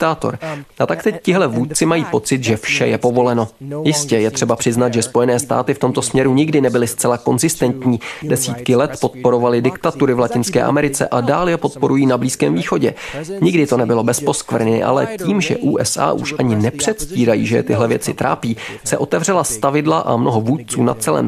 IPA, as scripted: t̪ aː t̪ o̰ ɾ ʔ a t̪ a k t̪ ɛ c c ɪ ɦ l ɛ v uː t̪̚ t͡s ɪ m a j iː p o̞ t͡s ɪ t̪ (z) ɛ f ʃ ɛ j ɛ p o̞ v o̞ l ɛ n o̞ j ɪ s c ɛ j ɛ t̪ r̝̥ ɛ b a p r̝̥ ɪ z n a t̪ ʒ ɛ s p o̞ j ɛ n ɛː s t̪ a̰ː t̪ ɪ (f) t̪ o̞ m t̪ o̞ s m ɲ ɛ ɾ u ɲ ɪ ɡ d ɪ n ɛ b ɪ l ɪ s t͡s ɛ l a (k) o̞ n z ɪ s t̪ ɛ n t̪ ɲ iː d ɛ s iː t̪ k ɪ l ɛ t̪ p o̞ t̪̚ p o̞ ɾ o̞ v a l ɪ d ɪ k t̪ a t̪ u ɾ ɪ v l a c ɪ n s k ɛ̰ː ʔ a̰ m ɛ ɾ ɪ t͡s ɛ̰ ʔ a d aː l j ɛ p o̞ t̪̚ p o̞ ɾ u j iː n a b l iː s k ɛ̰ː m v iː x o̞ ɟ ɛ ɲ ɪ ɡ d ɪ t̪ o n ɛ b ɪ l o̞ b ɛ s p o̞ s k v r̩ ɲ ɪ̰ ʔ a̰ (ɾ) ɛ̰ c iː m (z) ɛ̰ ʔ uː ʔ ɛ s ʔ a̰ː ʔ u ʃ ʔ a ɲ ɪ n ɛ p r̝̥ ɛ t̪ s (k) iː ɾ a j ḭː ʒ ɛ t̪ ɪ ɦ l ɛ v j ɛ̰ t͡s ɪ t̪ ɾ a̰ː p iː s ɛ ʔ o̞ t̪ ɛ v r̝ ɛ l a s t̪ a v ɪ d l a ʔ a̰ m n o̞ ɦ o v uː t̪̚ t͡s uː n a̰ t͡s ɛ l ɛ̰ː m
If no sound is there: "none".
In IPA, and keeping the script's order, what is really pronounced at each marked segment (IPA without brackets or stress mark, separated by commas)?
ʒ, f, k, l, ʒ, c